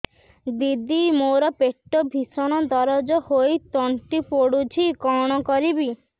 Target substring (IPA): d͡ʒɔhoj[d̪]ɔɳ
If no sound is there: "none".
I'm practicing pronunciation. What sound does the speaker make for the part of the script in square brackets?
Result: t̪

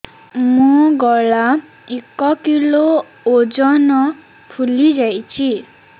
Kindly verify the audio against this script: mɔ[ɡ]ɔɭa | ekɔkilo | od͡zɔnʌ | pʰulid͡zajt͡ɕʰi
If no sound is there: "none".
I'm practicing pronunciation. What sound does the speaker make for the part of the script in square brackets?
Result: ɡ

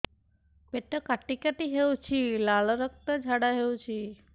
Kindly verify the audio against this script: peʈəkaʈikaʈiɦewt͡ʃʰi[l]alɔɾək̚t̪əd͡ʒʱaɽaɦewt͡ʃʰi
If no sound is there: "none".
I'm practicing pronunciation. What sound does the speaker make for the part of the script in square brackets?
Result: l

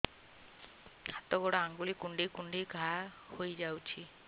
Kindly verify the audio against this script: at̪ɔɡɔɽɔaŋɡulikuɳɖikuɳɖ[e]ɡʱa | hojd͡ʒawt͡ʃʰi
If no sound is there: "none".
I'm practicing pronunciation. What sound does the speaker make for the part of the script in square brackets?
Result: i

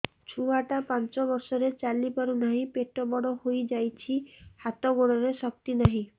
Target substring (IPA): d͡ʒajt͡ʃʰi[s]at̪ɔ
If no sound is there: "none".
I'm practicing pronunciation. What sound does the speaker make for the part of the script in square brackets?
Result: h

